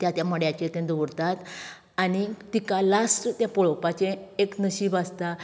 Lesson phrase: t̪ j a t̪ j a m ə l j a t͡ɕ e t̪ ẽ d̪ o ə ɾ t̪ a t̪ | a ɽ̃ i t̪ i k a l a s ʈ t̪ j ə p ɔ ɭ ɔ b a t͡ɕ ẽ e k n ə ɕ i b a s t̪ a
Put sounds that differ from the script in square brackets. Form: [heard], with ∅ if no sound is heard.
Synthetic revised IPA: t̪ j a t̪ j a m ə [ɽ] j a t͡ɕ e t̪ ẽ d̪ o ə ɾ t̪ a t̪ | a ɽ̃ i t̪ i k a l a s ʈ t̪ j [a] p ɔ ɭ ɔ [p] a t͡ɕ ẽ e k n ə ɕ i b a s t̪ a